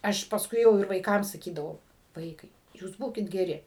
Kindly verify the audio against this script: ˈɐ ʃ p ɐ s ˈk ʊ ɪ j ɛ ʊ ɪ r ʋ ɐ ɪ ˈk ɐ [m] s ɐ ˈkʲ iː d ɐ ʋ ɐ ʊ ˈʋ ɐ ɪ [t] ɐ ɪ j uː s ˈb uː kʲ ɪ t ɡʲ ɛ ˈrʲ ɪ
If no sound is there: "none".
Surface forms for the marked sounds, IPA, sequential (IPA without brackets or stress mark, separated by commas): m, k